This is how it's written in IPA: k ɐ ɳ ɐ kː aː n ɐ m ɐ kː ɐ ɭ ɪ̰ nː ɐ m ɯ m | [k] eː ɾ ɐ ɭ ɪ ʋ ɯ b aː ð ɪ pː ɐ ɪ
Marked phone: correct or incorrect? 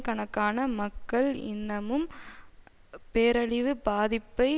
incorrect